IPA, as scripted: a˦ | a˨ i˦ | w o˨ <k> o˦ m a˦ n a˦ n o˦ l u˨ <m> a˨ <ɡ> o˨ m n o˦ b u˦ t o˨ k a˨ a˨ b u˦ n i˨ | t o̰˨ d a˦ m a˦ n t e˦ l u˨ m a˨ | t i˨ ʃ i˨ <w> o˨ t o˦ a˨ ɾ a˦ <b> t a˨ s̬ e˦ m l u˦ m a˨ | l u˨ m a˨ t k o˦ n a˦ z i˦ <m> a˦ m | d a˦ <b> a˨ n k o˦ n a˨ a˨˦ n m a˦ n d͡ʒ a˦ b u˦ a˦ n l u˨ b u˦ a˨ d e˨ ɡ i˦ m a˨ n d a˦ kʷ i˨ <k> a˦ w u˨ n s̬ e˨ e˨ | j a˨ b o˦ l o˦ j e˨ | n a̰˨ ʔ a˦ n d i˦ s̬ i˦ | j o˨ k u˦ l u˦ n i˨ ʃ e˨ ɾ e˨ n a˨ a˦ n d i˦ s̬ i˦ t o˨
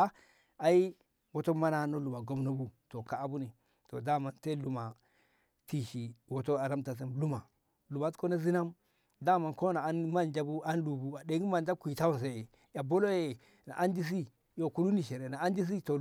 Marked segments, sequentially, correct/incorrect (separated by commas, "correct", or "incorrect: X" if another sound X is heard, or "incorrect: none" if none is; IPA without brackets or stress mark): incorrect: t, correct, correct, correct, incorrect: m, incorrect: n, incorrect: m, incorrect: t